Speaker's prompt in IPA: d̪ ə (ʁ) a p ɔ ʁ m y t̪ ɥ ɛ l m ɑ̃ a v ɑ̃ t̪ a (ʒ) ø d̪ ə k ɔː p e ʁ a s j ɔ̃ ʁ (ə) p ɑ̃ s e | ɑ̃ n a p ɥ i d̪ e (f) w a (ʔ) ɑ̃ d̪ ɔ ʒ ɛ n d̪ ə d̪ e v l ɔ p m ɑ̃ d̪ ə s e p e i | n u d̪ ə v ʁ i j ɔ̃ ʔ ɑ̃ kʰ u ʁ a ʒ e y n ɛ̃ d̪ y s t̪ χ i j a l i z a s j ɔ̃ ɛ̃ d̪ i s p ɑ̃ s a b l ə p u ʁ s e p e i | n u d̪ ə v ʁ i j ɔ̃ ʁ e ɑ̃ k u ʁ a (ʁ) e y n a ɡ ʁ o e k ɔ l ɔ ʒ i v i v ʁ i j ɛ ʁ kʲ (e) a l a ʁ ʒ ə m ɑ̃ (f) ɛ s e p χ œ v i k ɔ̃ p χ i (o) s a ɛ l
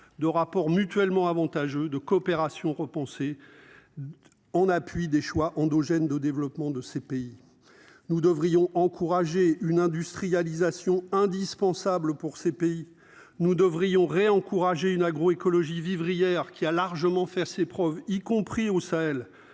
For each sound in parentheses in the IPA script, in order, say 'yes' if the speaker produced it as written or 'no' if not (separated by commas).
yes, yes, yes, no, yes, no, no, yes, yes